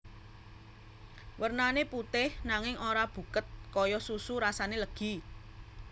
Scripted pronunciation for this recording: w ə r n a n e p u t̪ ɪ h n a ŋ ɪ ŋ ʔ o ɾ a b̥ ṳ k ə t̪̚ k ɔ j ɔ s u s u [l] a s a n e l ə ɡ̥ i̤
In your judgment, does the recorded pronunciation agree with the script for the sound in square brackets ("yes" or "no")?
no